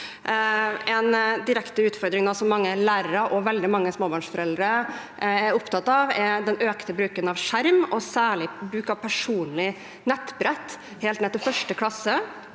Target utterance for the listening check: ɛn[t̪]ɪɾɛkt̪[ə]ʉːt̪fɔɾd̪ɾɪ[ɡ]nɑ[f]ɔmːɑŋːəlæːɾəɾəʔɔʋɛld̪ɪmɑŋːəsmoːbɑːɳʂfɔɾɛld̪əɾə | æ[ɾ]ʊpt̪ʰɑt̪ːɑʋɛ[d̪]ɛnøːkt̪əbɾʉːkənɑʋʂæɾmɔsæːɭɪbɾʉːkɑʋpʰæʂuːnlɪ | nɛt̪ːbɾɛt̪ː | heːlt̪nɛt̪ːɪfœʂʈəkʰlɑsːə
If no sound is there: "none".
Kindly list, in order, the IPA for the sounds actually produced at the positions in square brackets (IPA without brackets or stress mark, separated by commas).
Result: d̪, ə, ŋ, s, ɾ, d̪